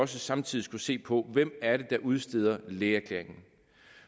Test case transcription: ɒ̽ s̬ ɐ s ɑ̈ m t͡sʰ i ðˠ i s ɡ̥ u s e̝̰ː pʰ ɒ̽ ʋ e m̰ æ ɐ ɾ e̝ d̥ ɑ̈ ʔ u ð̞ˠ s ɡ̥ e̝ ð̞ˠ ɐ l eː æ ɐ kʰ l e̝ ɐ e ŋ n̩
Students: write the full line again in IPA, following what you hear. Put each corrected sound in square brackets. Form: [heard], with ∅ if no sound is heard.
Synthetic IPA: ɒ̽ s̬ [ə] s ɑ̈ m t͡sʰ i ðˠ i s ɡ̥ u s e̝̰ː pʰ ɒ̽ ʋ e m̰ æ ɐ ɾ e̝ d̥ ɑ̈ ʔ u ð̞ˠ s [d̥] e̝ ð̞ˠ ɐ l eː æ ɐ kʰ l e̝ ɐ e ŋ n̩